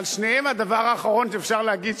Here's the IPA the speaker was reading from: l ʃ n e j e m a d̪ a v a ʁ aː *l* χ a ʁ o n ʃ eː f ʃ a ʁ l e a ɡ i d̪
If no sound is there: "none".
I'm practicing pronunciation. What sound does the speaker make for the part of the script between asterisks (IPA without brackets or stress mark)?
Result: none